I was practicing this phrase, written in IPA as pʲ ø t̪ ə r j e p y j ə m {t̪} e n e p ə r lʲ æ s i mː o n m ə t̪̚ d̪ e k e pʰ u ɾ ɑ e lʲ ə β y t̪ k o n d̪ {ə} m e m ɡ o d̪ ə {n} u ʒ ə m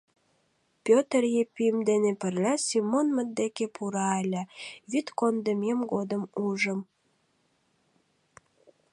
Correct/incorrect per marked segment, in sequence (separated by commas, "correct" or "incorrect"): incorrect, correct, incorrect